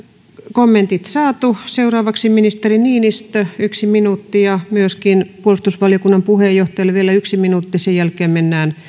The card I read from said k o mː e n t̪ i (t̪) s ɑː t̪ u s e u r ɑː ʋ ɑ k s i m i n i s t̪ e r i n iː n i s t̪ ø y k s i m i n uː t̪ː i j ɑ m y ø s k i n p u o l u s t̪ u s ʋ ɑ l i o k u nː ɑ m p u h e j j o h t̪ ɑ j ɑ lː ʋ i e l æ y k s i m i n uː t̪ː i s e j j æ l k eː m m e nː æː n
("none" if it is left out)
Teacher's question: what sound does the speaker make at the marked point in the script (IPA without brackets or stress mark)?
t̪